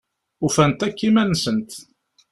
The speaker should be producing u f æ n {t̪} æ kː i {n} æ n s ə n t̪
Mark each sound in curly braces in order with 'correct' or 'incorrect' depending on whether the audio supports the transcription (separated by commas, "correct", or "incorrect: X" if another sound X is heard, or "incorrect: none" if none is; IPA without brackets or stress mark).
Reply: correct, incorrect: m